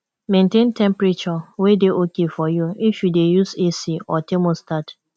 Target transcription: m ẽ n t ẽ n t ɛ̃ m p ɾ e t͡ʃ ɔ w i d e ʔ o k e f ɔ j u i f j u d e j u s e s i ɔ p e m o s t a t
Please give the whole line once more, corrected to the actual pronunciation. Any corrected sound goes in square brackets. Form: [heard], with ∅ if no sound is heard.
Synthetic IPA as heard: m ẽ n t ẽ n t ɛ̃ m p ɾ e t͡ʃ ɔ w [e] d e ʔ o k e f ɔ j u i f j u d e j u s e s i ɔ [t] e m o s t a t